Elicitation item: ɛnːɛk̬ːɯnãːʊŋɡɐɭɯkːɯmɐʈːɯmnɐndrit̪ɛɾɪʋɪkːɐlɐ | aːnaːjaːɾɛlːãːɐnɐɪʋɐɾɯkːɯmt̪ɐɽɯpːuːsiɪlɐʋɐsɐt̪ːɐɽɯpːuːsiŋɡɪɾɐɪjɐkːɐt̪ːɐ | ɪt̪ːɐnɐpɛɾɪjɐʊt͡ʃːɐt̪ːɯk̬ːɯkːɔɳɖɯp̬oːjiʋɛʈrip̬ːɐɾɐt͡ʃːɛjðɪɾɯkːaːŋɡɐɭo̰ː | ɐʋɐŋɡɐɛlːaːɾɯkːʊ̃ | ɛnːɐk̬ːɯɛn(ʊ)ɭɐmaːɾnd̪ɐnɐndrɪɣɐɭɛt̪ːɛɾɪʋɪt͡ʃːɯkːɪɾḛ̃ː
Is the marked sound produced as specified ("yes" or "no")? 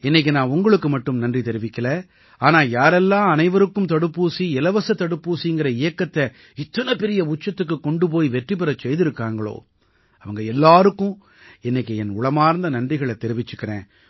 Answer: yes